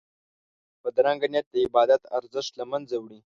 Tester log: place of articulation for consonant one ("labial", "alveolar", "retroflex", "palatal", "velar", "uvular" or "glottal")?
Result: labial